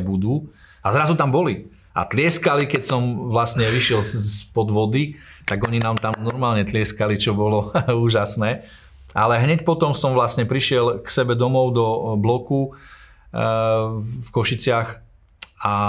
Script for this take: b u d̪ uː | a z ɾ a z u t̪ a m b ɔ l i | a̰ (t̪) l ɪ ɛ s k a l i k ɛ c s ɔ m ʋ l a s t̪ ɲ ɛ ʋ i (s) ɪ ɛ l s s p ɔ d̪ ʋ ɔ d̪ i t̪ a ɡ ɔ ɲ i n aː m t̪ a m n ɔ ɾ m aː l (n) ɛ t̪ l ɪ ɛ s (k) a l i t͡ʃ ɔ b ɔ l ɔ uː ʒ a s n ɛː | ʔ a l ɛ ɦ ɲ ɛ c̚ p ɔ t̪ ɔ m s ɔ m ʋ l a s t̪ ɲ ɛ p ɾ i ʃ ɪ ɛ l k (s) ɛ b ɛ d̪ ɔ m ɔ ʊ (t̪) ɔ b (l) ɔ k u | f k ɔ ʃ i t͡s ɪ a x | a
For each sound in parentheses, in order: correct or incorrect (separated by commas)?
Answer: correct, incorrect, incorrect, correct, correct, incorrect, correct